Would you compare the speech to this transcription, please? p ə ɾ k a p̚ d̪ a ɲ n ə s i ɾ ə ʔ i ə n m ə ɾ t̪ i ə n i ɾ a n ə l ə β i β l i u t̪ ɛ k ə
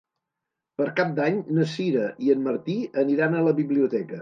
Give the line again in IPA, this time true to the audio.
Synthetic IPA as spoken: p ə ɾ k a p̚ d̪ a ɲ n ə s i ɾ ə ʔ i ə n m ə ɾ t̪ i ə n i ɾ a n ə l ə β i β l i u t̪ ɛ k ə